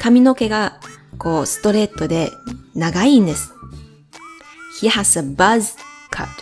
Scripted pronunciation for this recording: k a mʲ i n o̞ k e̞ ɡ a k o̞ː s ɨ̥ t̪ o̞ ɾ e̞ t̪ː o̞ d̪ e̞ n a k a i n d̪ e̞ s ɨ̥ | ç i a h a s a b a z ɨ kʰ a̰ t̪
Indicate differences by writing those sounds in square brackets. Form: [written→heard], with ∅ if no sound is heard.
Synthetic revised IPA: k a mʲ i n o̞ k e̞ ɡ a k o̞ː s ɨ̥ t̪ o̞ ɾ e̞ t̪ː o̞ d̪ e̞ n a [k→ɡ] a i n d̪ e̞ s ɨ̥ | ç i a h a s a b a z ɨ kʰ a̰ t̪